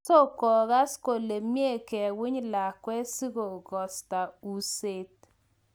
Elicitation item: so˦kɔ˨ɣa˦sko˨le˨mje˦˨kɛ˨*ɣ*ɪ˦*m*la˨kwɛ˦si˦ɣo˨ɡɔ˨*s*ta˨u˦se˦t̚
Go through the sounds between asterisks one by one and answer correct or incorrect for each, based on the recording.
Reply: incorrect: w, incorrect: ɲ, correct

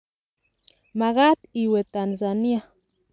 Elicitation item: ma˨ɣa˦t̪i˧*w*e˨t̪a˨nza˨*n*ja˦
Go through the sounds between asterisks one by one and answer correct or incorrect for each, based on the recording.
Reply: correct, correct

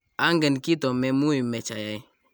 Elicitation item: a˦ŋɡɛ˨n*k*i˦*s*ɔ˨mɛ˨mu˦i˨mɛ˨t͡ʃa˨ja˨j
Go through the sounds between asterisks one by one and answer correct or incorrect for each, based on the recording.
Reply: correct, incorrect: t

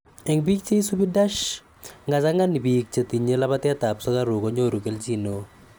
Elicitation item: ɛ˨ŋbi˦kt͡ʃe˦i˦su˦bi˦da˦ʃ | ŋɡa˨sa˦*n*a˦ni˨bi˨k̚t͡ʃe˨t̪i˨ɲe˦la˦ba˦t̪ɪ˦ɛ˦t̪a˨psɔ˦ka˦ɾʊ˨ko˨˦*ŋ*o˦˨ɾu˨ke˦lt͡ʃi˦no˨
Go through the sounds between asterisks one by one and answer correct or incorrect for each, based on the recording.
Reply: incorrect: ŋ, incorrect: ɲ

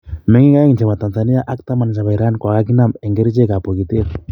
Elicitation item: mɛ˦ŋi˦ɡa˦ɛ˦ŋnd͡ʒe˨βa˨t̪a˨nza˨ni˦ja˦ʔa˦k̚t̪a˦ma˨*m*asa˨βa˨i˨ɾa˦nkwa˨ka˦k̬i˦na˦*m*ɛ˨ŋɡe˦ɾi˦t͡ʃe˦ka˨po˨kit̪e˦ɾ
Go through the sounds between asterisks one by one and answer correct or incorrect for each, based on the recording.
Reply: incorrect: n, correct

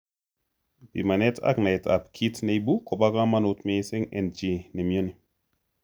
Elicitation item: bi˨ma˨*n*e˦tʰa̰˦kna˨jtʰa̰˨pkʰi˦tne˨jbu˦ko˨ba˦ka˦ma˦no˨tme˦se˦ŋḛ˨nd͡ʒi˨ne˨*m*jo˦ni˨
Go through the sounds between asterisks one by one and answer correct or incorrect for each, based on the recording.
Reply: correct, correct

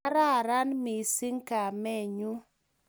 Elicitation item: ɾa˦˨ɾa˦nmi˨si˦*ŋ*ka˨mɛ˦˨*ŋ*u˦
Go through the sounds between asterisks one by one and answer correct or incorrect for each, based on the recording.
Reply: correct, incorrect: ɲ

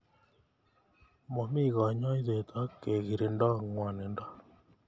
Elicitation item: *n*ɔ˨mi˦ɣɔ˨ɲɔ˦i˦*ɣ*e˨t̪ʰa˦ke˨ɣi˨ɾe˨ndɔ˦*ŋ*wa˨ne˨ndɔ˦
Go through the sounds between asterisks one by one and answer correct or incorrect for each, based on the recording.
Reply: incorrect: m, incorrect: ð, correct

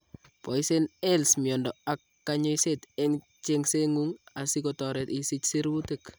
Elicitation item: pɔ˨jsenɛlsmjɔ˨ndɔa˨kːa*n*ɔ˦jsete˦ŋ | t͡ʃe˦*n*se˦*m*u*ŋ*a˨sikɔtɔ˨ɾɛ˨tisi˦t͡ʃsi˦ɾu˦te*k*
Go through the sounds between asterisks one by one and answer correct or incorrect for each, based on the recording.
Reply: incorrect: ɲ, incorrect: ŋ, incorrect: ŋ, correct, correct

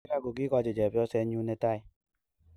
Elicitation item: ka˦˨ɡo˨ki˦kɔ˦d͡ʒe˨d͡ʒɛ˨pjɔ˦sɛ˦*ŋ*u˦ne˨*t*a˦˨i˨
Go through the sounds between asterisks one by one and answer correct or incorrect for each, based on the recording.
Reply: incorrect: ɲ, correct

